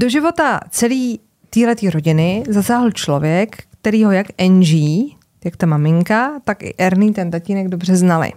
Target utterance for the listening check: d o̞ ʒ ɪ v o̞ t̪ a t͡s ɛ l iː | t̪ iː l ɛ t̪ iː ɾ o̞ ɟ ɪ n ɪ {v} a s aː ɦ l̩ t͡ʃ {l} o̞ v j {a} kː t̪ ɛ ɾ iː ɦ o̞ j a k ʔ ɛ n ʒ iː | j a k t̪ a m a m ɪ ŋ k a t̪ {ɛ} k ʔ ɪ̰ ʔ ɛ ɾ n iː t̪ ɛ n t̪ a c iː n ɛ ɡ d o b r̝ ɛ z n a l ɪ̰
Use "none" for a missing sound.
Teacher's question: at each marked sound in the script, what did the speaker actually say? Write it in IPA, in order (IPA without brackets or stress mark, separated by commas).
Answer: z, l, ɛ, a